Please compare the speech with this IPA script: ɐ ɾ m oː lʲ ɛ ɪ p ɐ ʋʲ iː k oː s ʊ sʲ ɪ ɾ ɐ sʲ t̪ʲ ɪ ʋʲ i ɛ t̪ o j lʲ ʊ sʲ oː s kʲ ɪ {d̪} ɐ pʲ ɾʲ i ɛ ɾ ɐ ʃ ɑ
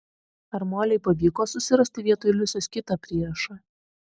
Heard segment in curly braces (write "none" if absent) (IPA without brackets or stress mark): t̪